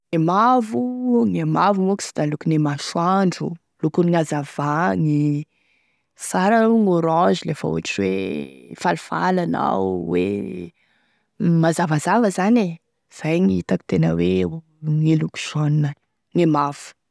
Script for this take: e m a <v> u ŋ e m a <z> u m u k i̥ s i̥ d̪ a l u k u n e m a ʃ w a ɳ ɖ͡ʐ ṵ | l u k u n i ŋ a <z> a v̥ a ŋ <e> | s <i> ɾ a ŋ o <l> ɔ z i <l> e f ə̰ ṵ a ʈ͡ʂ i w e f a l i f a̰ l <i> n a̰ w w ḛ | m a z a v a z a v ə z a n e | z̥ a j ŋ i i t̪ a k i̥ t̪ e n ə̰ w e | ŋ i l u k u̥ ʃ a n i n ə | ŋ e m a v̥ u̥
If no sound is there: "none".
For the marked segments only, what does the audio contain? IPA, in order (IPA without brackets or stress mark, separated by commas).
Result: v, v, z, i, a, ɾ, l, a